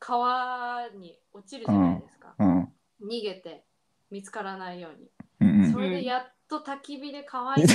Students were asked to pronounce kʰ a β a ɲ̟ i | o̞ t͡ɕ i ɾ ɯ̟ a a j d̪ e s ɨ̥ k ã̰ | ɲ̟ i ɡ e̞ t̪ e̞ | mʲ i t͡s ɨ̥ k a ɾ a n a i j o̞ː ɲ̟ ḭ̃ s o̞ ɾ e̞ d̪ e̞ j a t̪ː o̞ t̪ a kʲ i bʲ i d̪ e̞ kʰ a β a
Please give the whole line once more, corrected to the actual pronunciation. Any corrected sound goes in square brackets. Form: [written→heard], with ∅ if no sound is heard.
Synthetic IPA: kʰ a β a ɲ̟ i | o̞ t͡ɕ i ɾ ɯ̟ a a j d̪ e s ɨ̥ k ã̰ | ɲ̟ i ɡ e̞ t̪ e̞ | mʲ i t͡s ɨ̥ k a ɾ a n a i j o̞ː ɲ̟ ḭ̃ s o̞ ɾ e̞ d̪ e̞ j a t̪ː o̞ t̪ a kʲ i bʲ i d̪ e̞ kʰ a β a